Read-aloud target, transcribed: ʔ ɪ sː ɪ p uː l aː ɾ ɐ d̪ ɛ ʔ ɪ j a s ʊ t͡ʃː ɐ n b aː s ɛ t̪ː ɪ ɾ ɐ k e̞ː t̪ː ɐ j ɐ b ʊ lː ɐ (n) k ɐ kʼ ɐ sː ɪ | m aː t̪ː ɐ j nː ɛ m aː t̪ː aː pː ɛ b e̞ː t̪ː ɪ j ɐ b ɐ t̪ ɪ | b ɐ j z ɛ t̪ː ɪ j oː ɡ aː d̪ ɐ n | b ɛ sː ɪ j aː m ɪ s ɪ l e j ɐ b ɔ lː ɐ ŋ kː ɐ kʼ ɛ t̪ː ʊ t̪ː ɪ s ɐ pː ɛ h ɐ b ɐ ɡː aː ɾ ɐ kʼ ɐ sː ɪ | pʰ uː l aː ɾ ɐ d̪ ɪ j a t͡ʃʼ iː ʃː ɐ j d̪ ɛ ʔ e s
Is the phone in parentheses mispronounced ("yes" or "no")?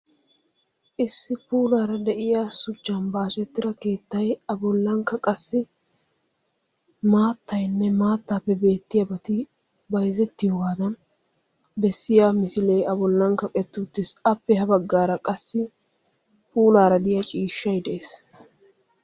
yes